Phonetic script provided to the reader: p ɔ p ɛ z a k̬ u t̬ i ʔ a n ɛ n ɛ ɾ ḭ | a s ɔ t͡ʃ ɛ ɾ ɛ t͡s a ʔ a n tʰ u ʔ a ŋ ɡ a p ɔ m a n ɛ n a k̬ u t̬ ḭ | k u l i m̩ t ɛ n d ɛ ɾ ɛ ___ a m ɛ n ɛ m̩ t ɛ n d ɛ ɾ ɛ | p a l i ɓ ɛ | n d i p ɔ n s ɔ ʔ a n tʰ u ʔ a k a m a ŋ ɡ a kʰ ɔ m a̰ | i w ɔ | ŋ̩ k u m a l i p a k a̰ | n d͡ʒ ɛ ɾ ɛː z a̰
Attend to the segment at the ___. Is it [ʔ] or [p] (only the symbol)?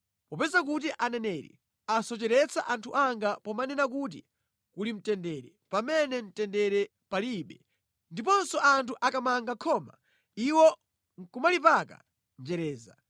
p